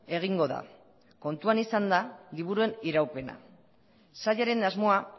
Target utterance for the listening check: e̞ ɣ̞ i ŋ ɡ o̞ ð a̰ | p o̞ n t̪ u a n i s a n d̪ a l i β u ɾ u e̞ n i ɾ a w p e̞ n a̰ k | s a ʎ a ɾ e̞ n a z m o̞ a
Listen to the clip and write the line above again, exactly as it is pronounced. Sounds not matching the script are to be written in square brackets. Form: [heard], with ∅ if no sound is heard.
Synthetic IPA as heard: e̞ ɣ̞ i ŋ ɡ o̞ ð a̰ | [k] o̞ n t̪ u a n i s a n d̪ a l i β u ɾ u e̞ n i ɾ a w p e̞ n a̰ [∅] | s a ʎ a ɾ e̞ n a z m o̞ a

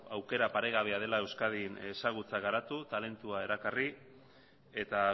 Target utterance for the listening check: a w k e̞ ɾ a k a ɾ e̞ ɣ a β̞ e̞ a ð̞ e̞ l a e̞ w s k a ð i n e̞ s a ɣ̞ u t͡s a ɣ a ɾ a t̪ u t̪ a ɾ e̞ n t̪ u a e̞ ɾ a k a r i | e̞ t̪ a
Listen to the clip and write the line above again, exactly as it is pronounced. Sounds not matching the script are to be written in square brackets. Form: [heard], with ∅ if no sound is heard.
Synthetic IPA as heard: a w k e̞ ɾ a [p] a ɾ e̞ ɣ a β̞ e̞ a ð̞ e̞ l a e̞ w s k a ð i n e̞ s a ɣ̞ u t͡s a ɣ a ɾ a t̪ u t̪ a [l] e̞ n t̪ u a e̞ ɾ a k a r i | e̞ t̪ a

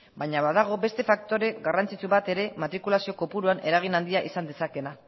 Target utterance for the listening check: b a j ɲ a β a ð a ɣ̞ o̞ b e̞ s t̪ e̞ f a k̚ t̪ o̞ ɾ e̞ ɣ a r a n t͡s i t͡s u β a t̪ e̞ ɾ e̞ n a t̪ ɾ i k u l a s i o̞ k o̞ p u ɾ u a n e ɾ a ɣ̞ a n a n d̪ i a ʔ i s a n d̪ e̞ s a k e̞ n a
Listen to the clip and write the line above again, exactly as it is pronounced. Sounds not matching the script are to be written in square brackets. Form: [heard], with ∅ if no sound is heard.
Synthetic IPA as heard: b a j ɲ a β a ð a ɣ̞ o̞ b e̞ s t̪ e̞ f a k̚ t̪ o̞ ɾ e̞ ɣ a r a n t͡s i t͡s u β a t̪ e̞ ɾ e̞ [m] a t̪ ɾ i k u l a s i o̞ k o̞ p u ɾ u a n e ɾ a ɣ̞ [i] n a n d̪ i a ʔ i s a n d̪ e̞ s a k e̞ n a

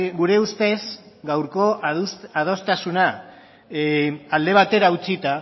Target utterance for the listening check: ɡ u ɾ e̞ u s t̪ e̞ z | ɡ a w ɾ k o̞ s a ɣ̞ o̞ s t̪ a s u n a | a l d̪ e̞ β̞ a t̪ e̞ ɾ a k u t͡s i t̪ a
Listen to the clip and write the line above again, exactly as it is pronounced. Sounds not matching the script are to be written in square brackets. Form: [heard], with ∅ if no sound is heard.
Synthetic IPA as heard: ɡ u ɾ e̞ u s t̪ e̞ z | ɡ a w ɾ k o̞ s a [ð̞] o̞ s t̪ a s u n a | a l d̪ e̞ β̞ a t̪ e̞ ɾ a [∅] u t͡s i t̪ a

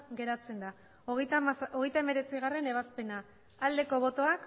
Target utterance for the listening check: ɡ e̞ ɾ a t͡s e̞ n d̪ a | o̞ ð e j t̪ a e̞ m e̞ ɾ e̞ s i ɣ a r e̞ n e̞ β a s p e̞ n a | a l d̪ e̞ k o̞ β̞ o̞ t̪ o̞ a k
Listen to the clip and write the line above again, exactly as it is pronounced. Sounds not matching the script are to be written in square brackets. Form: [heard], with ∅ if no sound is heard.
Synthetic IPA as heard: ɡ e̞ ɾ a t͡s e̞ n d̪ a | o̞ [ɣ] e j t̪ a e̞ m e̞ ɾ e̞ [t͡s] i ɣ a r e̞ n e̞ β a s p e̞ n a | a l d̪ e̞ k o̞ β̞ o̞ t̪ o̞ a k

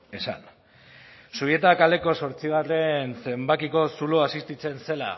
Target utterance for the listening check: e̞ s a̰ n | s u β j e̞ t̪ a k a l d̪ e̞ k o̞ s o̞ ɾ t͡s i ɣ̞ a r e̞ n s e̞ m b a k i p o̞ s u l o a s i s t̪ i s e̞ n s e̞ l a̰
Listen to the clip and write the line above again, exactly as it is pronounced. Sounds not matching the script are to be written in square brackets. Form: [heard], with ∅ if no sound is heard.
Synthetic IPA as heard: e̞ s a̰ n | s u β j e̞ t̪ a k a l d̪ e̞ k o̞ s o̞ ɾ t͡s i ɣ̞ a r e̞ n s e̞ m b a k i [k] o̞ s u l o a s i s t̪ i [t͡s] e̞ n s e̞ l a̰

